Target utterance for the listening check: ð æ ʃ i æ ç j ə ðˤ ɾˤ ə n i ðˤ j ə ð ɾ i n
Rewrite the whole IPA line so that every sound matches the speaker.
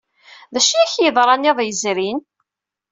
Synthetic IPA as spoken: ð æ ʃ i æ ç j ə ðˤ ɾˤ ɑ n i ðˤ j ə z ɾ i n